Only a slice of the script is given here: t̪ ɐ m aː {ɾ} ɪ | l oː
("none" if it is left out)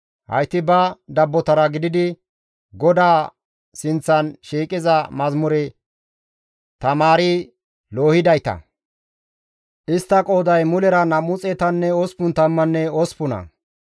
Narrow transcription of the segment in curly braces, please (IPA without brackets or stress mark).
ɾ